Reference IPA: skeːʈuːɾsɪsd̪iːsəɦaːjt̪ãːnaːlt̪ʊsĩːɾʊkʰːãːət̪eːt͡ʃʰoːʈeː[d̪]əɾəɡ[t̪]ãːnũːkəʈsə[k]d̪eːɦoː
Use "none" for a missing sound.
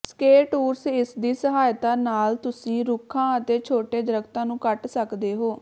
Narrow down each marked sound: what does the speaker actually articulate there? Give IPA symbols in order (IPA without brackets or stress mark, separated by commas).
d̪, t̪, k